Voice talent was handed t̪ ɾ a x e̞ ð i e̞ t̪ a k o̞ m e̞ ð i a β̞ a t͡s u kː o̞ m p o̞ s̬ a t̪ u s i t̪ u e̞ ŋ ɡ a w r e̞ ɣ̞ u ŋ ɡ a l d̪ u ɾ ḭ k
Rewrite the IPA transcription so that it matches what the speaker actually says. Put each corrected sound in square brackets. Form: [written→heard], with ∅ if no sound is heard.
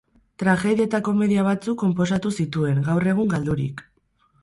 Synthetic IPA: t̪ ɾ a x e̞ ð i e̞ t̪ a k o̞ m e̞ ð i a β̞ a t͡s u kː o̞ m p o̞ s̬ a t̪ u s i t̪ u e̞ ŋ ɡ a w r e̞ ɣ̞ u ŋ ɡ a l d̪ u ɾ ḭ k